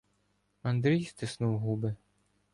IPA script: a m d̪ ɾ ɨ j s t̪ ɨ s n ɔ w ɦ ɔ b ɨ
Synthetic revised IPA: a n d̪ ɾ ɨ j s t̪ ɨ s n u w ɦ u b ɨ